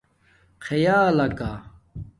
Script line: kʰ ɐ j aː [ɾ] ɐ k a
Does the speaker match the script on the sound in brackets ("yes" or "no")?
no